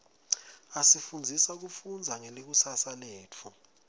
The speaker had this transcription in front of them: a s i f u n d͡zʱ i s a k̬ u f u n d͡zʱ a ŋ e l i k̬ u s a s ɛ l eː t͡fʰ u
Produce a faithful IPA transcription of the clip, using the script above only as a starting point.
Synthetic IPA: a s i f u n d͡zʱ i s a k̬ u f u n d͡zʱ a ŋ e l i k̬ u s a s a l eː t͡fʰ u